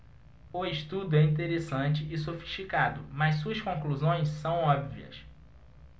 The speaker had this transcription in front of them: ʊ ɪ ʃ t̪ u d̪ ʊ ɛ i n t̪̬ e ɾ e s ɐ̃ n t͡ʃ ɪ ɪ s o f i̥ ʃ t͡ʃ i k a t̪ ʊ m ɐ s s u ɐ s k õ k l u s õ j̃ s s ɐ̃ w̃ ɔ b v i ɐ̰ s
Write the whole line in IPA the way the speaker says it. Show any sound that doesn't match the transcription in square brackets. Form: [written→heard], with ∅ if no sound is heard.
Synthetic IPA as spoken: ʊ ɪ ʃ t̪ u d̪ ʊ ɛ [i→ĩ] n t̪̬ e ɾ e s ɐ̃ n t͡ʃ ɪ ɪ s o f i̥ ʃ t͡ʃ i k a [t̪→d̪] ʊ m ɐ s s u ɐ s k õ k l u [s→z] õ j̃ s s ɐ̃ w̃ ɔ b v i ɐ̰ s